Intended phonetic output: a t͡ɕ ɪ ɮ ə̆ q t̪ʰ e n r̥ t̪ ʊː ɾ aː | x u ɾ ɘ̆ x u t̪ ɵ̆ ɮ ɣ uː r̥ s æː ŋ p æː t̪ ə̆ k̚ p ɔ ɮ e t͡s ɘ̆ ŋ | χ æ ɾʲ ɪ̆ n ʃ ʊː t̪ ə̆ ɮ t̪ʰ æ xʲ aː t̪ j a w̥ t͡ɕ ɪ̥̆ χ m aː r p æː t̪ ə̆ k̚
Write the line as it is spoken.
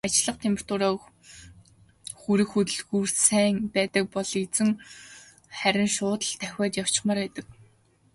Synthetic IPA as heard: a t͡ɕ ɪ ɮ ə̆ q t̪ʰ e m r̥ t̪ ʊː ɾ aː | x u ɾ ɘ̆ x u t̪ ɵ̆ ɮ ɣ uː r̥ s æː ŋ p æː t̪ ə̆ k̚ p ɔ ɮ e t͡s ɘ̆ ŋ | χ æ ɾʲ ɪ̆ n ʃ ʊː t̪ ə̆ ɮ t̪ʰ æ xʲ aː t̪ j a w̥ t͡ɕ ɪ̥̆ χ m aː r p æː t̪ ə̆ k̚